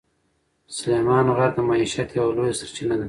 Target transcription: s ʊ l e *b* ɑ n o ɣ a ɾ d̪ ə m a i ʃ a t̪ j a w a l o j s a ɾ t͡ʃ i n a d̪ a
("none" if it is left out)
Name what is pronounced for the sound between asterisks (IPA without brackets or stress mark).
m